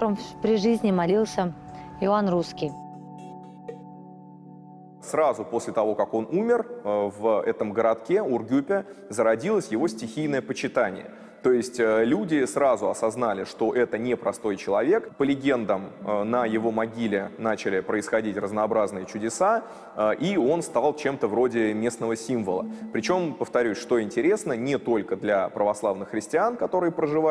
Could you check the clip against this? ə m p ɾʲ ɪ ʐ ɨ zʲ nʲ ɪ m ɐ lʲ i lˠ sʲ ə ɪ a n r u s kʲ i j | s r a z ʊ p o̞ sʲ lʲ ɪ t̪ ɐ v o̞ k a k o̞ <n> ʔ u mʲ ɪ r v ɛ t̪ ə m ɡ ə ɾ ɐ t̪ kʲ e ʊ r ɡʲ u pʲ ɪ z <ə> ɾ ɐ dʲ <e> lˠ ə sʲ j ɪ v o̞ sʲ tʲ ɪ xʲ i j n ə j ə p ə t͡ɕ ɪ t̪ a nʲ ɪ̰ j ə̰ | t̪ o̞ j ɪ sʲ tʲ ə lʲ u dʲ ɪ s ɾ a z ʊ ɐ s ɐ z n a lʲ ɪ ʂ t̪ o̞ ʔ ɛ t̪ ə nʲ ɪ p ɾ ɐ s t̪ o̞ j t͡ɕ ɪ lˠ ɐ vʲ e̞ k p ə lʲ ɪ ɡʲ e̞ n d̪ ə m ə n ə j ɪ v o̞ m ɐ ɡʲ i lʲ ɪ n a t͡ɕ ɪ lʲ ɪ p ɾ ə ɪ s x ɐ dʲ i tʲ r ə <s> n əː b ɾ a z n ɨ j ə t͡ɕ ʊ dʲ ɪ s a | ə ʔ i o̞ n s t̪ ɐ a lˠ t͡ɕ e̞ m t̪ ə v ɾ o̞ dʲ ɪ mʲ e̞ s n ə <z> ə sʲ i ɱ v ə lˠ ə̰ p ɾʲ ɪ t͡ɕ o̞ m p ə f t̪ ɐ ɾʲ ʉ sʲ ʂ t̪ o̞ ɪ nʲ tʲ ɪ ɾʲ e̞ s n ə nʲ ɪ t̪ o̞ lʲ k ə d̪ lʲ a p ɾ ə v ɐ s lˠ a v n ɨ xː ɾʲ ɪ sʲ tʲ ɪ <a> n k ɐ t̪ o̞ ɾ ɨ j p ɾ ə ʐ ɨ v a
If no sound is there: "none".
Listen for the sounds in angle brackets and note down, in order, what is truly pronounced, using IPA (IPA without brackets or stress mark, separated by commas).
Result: n, ə, i, z, v, a